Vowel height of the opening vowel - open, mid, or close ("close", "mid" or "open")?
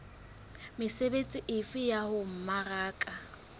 close